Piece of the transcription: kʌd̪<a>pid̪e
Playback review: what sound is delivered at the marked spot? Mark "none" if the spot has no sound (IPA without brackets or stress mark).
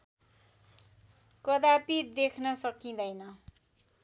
a